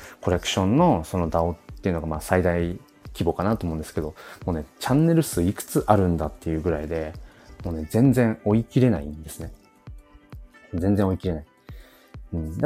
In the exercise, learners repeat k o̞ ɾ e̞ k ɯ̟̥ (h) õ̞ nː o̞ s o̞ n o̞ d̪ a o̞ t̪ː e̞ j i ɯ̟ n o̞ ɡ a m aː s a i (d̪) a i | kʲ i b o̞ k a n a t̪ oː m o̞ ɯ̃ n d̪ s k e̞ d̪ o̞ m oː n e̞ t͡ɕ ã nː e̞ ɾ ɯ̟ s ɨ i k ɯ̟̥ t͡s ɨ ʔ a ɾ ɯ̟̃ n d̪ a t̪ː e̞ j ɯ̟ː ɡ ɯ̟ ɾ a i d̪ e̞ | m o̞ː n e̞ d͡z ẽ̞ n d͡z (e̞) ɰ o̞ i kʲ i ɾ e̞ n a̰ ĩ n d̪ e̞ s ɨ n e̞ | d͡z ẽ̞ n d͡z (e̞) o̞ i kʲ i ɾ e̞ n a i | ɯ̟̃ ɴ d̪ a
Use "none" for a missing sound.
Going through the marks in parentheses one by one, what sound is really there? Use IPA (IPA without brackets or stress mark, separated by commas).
ɕ, d̪, ẽ̞, ẽ̞